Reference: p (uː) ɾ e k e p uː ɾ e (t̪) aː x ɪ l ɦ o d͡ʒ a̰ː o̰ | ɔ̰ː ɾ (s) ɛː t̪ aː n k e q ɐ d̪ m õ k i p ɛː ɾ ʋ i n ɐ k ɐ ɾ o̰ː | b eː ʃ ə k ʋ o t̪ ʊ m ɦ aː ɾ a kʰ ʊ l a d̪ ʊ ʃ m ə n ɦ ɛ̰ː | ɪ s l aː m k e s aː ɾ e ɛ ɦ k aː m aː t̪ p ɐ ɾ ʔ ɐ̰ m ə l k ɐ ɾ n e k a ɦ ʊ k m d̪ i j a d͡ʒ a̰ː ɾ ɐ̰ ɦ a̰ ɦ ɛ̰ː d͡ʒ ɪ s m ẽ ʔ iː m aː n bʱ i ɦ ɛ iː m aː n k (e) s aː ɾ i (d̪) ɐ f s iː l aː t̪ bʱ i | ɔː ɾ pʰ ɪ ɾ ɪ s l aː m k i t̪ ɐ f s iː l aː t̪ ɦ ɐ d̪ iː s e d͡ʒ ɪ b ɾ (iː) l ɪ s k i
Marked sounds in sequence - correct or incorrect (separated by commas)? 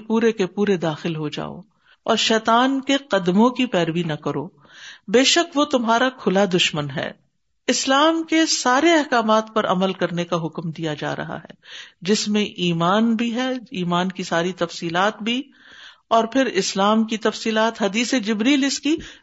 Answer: correct, incorrect, incorrect, incorrect, incorrect, correct